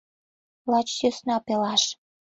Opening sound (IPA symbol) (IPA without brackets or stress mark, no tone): l